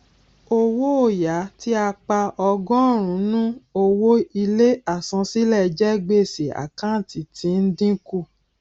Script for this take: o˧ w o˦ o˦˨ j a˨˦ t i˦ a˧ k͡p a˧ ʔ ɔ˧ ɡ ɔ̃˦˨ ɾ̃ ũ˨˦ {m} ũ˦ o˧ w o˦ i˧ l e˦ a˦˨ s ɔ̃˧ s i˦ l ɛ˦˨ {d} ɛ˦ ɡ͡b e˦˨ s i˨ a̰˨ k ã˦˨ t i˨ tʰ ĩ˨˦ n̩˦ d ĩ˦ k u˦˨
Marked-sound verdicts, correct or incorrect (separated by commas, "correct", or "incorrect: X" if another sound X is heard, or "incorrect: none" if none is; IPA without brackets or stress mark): incorrect: n, incorrect: d͡ʒ